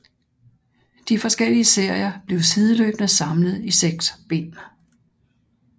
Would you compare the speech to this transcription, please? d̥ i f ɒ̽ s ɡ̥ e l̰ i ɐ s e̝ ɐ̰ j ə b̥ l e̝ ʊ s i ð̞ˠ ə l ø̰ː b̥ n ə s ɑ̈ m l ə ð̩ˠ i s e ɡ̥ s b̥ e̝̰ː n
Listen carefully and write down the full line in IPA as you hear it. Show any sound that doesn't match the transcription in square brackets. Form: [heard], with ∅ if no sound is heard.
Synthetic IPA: d̥ i f ɒ̽ s ɡ̥ e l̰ i [ə] s e̝ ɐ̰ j [ɐ] b̥ l e̝ ʊ s i ð̞ˠ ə l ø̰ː b̥ n ə s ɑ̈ m l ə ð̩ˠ i s e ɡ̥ s b̥ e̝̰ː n